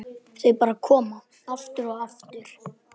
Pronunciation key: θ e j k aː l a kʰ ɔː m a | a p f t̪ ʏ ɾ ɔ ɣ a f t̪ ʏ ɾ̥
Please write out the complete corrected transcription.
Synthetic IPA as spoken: θ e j p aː ɾ a kʰ ɔː m a | a f t̪ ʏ ɾ ɔ ɣ a f t̪ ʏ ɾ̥

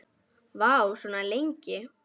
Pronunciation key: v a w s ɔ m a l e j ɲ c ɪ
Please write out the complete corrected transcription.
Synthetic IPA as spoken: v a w s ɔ n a l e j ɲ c ɪ

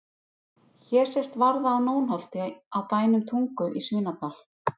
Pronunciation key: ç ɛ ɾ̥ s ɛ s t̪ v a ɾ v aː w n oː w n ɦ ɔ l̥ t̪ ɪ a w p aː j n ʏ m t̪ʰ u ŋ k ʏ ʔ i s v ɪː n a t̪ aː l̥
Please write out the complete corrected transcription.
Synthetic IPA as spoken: ç ɛ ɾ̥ s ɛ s t̪ v a ɾ ð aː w n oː w n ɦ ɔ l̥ t̪ ɪ a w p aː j n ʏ m t̪ʰ u ŋ k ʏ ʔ i s v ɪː n a t̪ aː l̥

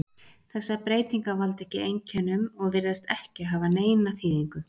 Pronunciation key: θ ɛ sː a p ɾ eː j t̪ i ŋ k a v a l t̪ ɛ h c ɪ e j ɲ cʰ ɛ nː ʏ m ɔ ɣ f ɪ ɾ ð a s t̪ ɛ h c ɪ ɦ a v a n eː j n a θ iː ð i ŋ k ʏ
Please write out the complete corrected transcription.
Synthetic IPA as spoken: θ ɛ sː a p ɾ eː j t̪ i ŋ k a v a l t̪ ɛ h c ɪ e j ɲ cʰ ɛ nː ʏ m ɔ ɣ v ɪ ɾ ð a s t̪ ɛ h c ɪ ɦ a v a n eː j n a θ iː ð i ŋ k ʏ

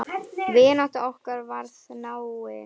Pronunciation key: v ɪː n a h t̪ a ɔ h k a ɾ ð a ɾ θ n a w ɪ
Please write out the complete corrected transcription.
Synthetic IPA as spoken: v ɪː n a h t̪ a ɔ h k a ɾ v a ɾ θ n a w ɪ

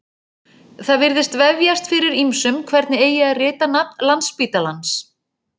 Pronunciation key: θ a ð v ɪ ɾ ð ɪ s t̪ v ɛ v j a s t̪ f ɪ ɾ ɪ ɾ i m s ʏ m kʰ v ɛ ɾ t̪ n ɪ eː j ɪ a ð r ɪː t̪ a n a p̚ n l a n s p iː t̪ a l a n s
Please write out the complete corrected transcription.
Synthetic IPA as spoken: θ a ð v ɪ ɾ ð ɪ s t̪ v ɛ v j a s t̪ f ɪ ɾ ɪ ɾ i m s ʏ m kʰ v ɛ ɾ t̪ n ɪ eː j ɪ a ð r ɪː t̪ a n a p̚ n l a n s p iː t̪ a l a n s

